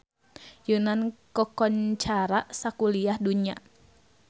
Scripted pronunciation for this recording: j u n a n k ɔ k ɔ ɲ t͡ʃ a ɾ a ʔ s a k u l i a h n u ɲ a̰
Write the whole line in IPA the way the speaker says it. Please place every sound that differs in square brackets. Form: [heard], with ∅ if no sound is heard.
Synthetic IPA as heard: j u n a n k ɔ k ɔ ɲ t͡ʃ a ɾ a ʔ s a k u l i a h [d] u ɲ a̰